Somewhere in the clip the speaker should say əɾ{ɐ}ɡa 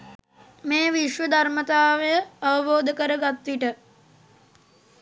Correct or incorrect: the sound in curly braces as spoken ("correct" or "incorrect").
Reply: incorrect